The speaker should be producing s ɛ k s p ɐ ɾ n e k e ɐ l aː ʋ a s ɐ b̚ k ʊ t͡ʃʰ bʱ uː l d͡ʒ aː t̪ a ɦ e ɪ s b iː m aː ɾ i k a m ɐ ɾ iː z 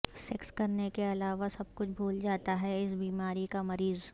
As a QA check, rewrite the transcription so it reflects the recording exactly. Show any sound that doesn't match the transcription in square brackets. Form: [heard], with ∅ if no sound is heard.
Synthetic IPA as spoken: s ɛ k s [k] ɐ ɾ n e k e ɐ l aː ʋ a s ɐ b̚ k ʊ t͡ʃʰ bʱ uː l d͡ʒ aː t̪ a ɦ [ɛ] ɪ s b iː m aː ɾ i k a m ɐ ɾ iː z